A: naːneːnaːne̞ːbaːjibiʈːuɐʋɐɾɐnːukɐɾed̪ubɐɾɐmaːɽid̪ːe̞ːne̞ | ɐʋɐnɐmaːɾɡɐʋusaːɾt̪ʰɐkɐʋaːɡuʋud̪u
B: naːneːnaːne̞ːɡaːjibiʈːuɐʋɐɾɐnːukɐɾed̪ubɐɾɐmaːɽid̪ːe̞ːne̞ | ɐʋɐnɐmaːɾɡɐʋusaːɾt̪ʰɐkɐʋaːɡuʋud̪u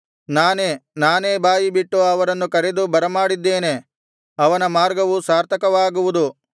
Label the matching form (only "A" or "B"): A